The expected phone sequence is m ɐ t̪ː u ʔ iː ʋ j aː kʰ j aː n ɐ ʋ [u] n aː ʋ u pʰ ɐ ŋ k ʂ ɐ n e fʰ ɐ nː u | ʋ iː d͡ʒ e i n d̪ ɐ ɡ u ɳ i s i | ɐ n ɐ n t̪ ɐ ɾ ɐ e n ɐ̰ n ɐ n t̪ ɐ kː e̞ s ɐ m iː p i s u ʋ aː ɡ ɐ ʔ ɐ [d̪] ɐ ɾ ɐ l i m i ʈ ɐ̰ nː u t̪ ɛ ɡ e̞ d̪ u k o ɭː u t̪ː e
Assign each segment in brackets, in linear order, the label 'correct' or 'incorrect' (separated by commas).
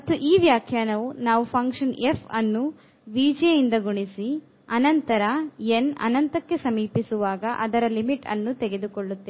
correct, correct